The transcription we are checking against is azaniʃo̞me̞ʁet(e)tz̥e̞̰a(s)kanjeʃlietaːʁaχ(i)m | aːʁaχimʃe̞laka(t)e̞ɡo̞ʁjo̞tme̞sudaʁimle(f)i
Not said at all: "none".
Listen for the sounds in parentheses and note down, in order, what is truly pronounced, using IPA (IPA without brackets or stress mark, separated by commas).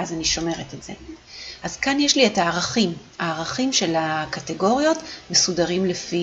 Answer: e, z, i, t, f